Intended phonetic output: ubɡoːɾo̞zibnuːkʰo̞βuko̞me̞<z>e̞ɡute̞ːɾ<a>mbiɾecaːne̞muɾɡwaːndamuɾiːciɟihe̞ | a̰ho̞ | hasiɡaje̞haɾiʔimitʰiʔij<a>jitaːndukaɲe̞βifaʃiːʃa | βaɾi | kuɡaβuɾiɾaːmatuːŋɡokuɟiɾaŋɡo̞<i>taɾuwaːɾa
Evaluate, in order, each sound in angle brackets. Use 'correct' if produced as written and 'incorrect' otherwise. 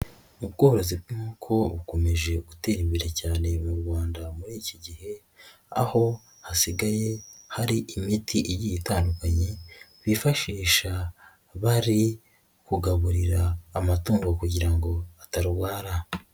incorrect: ʒ, incorrect: i, incorrect: i, incorrect: a

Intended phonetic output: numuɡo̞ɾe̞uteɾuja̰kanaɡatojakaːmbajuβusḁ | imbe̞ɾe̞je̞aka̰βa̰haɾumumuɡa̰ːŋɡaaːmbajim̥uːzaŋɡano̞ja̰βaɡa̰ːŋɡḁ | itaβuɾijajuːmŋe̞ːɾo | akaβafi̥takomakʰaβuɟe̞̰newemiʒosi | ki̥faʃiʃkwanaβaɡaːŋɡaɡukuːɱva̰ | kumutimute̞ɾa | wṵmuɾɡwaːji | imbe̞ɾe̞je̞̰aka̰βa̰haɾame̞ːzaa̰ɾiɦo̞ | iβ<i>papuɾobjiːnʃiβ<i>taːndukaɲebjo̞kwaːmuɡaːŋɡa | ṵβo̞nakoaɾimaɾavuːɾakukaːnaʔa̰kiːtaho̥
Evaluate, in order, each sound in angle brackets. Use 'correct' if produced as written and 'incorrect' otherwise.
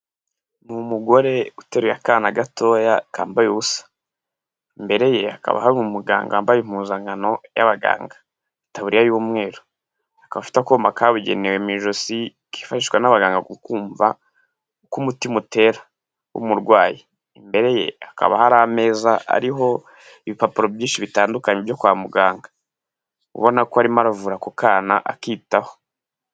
correct, correct

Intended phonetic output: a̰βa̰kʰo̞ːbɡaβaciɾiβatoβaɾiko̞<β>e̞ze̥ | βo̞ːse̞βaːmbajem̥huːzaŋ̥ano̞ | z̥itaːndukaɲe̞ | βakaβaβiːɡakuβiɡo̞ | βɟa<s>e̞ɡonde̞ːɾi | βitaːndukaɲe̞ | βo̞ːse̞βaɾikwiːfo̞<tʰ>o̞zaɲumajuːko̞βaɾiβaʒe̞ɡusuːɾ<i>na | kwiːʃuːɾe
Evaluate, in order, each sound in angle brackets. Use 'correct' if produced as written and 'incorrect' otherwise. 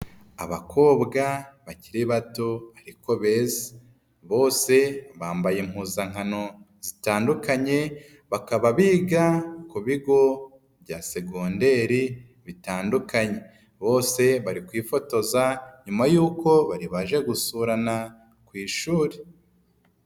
correct, correct, incorrect: t, incorrect: a

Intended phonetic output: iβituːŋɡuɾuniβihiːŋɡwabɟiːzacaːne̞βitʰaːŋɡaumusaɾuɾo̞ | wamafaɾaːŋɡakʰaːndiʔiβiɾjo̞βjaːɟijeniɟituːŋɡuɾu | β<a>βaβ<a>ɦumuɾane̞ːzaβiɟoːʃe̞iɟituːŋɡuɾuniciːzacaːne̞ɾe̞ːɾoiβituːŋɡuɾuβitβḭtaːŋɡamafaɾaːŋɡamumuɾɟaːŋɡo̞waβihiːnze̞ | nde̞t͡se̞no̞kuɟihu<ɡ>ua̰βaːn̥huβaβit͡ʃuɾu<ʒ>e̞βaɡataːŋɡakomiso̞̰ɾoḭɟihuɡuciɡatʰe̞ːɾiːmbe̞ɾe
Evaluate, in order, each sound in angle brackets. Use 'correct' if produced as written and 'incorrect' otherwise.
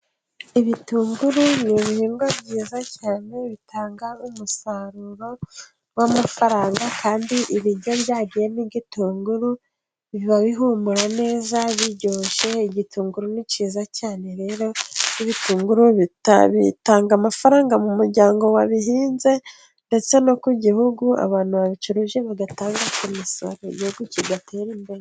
incorrect: i, incorrect: i, correct, correct

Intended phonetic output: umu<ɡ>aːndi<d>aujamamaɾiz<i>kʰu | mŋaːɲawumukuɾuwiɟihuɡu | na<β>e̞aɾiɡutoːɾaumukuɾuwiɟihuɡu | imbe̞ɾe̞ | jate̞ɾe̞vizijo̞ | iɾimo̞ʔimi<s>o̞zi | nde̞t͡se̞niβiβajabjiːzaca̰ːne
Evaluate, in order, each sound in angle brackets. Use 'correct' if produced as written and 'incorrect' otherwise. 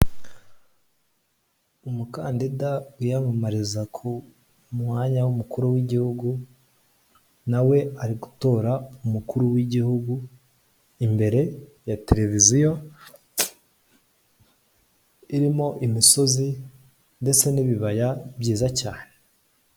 incorrect: k, correct, incorrect: a, incorrect: w, correct

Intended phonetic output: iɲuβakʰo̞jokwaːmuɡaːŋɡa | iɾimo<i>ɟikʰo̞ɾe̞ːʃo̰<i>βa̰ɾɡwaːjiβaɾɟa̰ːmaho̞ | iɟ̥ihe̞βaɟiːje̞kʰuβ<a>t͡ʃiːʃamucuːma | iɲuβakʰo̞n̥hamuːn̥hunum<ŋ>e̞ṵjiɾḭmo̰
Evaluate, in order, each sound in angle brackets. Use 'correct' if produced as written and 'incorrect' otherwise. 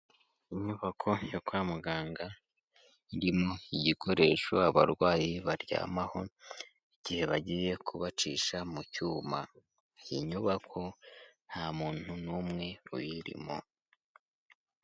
correct, incorrect: a, correct, correct

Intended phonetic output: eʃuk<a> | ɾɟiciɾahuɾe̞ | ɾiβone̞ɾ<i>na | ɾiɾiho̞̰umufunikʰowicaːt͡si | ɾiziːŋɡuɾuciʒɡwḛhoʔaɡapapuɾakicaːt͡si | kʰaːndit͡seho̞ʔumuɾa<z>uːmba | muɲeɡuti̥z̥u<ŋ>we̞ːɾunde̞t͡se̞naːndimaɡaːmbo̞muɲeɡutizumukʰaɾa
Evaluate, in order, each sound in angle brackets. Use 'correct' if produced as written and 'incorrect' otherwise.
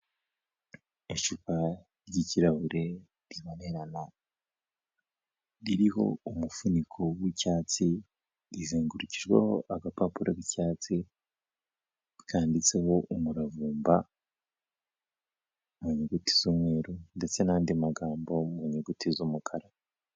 correct, incorrect: a, incorrect: v, incorrect: m

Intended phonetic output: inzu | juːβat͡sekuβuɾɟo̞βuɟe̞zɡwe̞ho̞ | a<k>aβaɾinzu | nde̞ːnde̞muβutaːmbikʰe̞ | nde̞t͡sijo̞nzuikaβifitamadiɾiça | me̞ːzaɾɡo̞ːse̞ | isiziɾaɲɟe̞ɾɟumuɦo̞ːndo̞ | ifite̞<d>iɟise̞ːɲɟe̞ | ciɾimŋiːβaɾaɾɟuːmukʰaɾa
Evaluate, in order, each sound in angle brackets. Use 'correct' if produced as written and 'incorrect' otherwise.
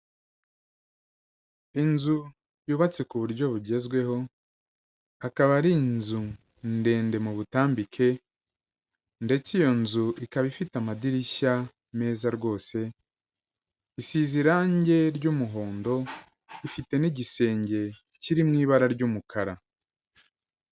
correct, incorrect: n

